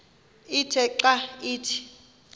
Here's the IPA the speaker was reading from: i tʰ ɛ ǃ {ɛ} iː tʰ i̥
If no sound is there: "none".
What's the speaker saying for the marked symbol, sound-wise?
a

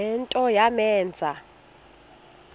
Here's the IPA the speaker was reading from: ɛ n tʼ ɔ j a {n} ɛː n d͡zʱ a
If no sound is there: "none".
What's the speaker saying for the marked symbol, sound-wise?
m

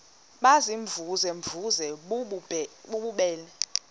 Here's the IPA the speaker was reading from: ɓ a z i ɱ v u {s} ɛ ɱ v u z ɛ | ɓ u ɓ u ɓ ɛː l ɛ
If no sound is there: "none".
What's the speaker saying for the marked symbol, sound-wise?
z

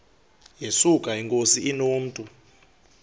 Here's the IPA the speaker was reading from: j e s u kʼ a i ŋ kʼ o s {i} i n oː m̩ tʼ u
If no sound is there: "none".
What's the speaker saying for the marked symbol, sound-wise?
i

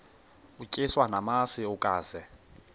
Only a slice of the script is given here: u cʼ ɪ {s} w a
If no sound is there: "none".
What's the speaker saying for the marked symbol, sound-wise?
s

